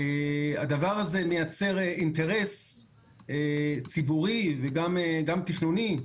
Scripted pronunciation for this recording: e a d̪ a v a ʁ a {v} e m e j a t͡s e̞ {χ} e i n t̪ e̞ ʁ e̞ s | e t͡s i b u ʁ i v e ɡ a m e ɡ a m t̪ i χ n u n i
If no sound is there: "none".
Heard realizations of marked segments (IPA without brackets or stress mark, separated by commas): z, ʁ